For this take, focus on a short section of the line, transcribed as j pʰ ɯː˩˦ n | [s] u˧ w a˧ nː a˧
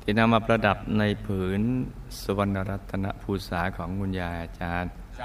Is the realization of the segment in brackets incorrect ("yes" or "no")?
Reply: no